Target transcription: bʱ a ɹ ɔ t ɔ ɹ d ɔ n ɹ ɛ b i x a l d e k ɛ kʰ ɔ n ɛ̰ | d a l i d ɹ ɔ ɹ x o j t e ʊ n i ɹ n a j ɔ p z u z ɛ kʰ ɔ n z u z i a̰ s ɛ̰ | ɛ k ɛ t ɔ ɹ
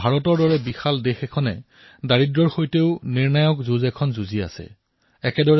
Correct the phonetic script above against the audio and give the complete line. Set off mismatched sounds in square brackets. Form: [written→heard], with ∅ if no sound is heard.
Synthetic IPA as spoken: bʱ a ɹ ɔ t ɔ ɹ d ɔ [n→∅] ɹ ɛ b i x a l d e [k→x] ɛ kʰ ɔ n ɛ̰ | d a [l→ɹ] i d ɹ ɔ ɹ x o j t e ʊ n i ɹ n a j ɔ [p→k] z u z ɛ kʰ ɔ n z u z i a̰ s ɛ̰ | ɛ k ɛ [t→d] ɔ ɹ

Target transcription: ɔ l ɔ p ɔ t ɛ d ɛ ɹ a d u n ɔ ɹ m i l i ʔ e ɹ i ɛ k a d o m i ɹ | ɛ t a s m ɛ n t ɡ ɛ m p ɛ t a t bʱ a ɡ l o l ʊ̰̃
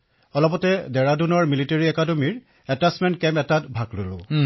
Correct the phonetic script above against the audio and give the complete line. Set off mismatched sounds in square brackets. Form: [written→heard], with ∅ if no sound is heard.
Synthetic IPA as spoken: ɔ l ɔ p ɔ t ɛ d ɛ ɹ a d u n ɔ ɹ m i l i [ʔ→t] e ɹ i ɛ k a d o m i ɹ | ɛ t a s m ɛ n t [ɡ→k] ɛ m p ɛ t a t bʱ a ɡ l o l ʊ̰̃

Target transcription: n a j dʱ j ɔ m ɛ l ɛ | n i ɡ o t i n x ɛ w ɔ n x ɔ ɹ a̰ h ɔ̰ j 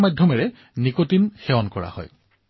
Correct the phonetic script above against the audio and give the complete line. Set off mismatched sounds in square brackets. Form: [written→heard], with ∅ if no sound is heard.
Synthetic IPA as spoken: [n→m] a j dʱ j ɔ m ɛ [l→ɹ] ɛ | n i [ɡ→k] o t i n x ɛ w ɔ n [x→k] ɔ ɹ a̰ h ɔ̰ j

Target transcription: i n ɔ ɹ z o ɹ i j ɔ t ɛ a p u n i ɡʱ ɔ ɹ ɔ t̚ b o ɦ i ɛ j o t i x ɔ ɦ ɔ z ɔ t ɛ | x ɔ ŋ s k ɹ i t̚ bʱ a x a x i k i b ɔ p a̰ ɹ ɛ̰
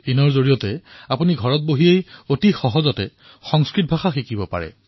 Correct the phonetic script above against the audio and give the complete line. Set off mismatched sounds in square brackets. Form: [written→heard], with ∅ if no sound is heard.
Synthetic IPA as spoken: i n ɔ ɹ z o ɹ i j ɔ t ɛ a p u n i ɡʱ ɔ ɹ ɔ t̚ b o ɦ i [ɛ→e] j o t i x ɔ ɦ ɔ z ɔ t ɛ | x ɔ ŋ s k ɹ i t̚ bʱ a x a x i k i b ɔ p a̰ ɹ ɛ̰

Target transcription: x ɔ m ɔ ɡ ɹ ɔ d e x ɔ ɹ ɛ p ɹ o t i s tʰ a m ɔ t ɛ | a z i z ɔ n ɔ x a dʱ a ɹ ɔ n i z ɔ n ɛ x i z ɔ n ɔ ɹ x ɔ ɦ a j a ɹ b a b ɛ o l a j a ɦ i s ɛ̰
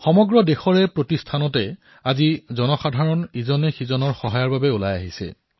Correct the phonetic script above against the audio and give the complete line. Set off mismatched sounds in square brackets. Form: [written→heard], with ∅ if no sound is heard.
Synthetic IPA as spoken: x ɔ m ɔ ɡ ɹ ɔ d e x ɔ ɹ ɛ p ɹ o t i s tʰ a [m→n] ɔ t ɛ | a z i z ɔ n ɔ x a dʱ a ɹ ɔ n i z ɔ n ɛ x i z ɔ n ɔ ɹ x ɔ ɦ a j a ɹ b a b ɛ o l a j a ɦ i s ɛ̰

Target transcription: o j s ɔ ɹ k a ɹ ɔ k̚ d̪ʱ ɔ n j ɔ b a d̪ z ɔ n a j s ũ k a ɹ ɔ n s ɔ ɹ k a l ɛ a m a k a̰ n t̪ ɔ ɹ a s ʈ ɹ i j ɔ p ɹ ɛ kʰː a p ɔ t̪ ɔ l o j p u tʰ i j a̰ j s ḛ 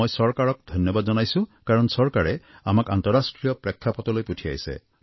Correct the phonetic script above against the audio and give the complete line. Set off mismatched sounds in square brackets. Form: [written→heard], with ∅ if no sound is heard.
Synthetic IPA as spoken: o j s ɔ ɹ k a ɹ ɔ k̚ d̪ʱ ɔ n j ɔ b a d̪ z ɔ n a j s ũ k a ɹ ɔ n s ɔ ɹ k a [l→ɹ] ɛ a m a k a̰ n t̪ ɔ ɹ a s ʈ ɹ i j ɔ p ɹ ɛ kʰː a p ɔ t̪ ɔ l o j p u tʰ i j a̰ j s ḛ

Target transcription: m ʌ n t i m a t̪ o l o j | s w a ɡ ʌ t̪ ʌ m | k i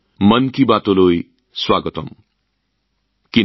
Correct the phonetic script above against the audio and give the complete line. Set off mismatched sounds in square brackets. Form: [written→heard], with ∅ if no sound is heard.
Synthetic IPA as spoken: m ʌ n [t→k] i [m→b] a t̪ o l o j | s w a ɡ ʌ t̪ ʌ m | k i

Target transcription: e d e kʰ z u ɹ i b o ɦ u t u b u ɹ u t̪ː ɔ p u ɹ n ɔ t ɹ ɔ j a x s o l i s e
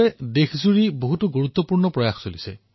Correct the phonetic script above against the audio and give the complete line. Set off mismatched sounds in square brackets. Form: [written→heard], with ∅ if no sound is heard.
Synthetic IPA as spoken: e d e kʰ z u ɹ i b o ɦ u t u [b→ɡ] u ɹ u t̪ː ɔ p u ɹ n ɔ [t→p] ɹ ɔ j a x s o l i s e

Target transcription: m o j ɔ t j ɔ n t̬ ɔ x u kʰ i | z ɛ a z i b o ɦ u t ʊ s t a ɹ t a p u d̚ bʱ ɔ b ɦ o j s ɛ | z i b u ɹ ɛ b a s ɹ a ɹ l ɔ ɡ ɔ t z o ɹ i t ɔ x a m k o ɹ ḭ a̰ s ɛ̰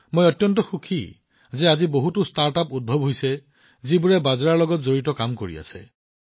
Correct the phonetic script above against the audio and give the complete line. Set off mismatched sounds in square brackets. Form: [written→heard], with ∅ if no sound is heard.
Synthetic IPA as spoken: m o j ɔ t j ɔ n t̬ ɔ x u kʰ i | z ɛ a z i b o ɦ u t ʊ s t a ɹ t a p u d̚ bʱ ɔ b ɦ o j s ɛ | z i b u ɹ ɛ b a [s→z] ɹ a ɹ l ɔ ɡ ɔ t z o ɹ i t ɔ [x→k] a m k o ɹ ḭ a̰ s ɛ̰

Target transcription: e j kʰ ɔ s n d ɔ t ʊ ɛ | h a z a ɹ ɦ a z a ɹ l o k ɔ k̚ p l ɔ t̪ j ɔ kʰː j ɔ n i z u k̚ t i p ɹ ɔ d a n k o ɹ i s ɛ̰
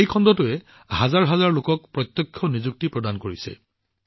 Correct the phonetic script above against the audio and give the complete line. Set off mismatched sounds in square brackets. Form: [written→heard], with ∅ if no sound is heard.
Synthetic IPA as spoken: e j kʰ ɔ [s→∅] n d ɔ t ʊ ɛ | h a z a ɹ ɦ a z a ɹ l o k ɔ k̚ p [l→ɹ] ɔ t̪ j ɔ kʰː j ɔ n i z u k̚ t i p ɹ ɔ d a n k o ɹ i s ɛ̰

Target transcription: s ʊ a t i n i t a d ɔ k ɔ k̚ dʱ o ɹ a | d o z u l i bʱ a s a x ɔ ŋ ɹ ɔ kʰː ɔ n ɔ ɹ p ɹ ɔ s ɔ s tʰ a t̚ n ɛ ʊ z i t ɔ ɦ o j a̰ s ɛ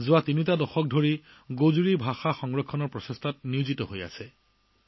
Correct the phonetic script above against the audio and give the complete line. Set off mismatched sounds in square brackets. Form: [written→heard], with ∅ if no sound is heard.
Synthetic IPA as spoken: [s→z] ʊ a t i n i t a d ɔ [k→x] ɔ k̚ dʱ o ɹ [a→i] | [d→ɡ] o z u [l→ɹ] i bʱ a [s→x] a x ɔ ŋ ɹ ɔ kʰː ɔ n ɔ ɹ p ɹ ɔ s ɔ s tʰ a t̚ n [ɛ→i] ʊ z i t ɔ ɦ o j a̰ s ɛ

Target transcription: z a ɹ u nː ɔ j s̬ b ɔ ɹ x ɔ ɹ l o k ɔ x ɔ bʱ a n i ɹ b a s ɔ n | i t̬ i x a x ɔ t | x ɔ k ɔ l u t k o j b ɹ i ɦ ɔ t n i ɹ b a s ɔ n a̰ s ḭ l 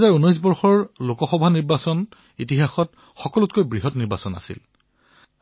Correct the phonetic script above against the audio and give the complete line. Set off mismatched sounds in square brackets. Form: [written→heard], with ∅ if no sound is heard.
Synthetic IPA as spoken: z a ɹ u [nː→n] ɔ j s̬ b ɔ ɹ x ɔ ɹ l o k ɔ x ɔ bʱ a n i ɹ b a s ɔ n | i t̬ i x a x ɔ t | x ɔ k ɔ l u t k o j b ɹ i ɦ ɔ t n i ɹ b a s ɔ n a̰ s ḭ l

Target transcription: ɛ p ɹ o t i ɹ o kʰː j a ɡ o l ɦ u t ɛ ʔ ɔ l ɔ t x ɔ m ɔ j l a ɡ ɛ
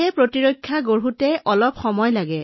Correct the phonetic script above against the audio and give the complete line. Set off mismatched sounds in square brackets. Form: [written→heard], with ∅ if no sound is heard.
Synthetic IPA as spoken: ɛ p ɹ o t i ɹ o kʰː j a ɡ o [l→ɹ] ɦ u t ɛ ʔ ɔ l ɔ [t→p] x ɔ m ɔ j l a ɡ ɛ

